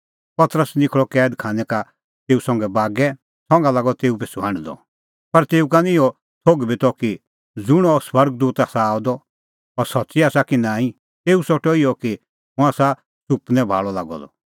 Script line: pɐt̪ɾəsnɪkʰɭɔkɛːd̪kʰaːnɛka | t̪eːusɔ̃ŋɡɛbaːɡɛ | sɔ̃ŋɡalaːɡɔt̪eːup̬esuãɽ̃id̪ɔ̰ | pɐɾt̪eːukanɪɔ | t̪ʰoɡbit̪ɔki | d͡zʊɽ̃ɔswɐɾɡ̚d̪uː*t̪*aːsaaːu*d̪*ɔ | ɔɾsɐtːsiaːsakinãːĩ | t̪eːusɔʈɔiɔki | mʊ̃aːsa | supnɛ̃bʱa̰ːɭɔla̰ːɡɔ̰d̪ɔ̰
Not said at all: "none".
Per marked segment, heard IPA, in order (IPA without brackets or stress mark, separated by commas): t̪, d̪